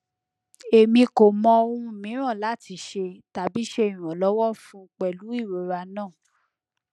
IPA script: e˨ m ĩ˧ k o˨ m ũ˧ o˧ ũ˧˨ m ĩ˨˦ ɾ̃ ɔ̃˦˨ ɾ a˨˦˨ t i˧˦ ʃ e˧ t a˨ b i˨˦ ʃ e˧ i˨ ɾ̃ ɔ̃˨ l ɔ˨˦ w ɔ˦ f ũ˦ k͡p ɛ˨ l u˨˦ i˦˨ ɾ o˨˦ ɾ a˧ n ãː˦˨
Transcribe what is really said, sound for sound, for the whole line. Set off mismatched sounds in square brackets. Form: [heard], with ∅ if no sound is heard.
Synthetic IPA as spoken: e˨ m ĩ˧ k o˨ m [ɔ̃˧] o˧ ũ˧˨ m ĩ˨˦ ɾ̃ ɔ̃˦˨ [l] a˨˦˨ t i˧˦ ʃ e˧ t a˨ b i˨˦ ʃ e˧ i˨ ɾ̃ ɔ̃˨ l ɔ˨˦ w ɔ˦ f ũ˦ k͡p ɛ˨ l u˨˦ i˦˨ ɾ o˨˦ ɾ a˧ n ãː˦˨